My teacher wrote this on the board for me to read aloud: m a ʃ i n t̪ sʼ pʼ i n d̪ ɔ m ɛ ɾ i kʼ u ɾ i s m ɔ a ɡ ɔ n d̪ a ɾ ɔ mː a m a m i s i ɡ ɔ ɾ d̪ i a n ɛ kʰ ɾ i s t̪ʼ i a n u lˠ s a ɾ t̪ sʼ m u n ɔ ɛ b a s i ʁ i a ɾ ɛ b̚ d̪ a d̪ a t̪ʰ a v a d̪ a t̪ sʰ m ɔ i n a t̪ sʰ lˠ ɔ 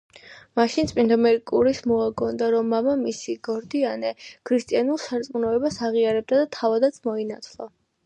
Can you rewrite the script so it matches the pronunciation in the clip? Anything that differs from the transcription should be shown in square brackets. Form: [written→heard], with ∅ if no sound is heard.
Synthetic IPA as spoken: m a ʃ i n t̪ sʼ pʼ i n d̪ ɔ m ɛ ɾ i kʼ u ɾ i s m ɔ a ɡ ɔ n d̪ a ɾ ɔ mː a m a m i s i ɡ ɔ ɾ d̪ i a n ɛ kʰ ɾ i s t̪ʼ i a n u lˠ s a ɾ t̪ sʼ m u n ɔ ɛ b a s [i→a] ʁ i a ɾ ɛ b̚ d̪ a d̪ a t̪ʰ a v a d̪ a t̪ sʰ m ɔ i n a t̪ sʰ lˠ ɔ